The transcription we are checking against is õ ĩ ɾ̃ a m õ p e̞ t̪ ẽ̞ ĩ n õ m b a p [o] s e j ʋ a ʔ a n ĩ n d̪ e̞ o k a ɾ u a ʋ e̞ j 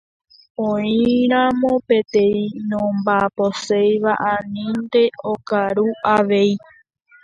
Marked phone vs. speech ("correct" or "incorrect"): correct